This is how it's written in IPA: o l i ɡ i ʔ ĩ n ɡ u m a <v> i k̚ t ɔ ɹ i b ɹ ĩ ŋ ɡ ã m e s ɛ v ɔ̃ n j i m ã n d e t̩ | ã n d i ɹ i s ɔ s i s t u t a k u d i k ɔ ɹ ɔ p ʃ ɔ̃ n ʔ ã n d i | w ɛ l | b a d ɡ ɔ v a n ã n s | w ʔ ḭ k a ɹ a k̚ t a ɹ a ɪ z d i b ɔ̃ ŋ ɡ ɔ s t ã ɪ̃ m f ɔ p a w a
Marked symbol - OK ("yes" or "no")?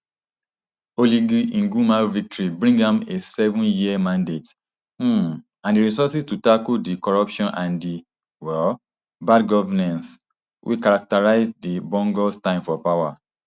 yes